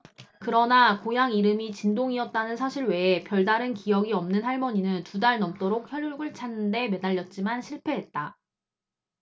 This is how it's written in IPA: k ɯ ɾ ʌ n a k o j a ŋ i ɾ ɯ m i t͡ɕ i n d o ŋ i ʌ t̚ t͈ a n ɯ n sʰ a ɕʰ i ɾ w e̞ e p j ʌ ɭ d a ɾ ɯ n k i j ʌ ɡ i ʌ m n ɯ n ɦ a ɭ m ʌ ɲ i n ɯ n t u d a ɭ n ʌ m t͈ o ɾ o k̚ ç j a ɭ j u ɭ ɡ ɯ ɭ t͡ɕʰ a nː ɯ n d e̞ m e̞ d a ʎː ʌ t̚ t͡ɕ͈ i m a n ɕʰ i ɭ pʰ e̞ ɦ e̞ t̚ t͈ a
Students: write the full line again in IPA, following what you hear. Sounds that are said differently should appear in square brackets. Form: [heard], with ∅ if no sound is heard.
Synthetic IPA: k ɯ ɾ ʌ n a k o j a ŋ i ɾ ɯ m i t͡ɕ i n d o ŋ i ʌ t̚ t͈ a n ɯ n sʰ a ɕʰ i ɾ w e̞ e p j ʌ ɭ d a ɾ ɯ n k i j ʌ ɡ i ʌ m n ɯ n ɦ a ɭ m ʌ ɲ i n ɯ n t u d a ɭ n ʌ m t͈ o ɾ o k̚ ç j [ʌ] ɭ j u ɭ ɡ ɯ ɭ t͡ɕʰ a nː ɯ n d e̞ m e̞ d a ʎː ʌ t̚ t͡ɕ͈ i m a n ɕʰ i ɭ pʰ e̞ ɦ e̞ t̚ t͈ a